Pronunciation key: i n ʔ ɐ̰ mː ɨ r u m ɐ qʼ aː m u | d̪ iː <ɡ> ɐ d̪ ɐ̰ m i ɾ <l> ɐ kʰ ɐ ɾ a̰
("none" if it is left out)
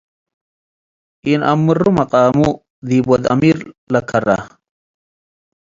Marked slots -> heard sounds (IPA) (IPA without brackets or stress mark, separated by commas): b, l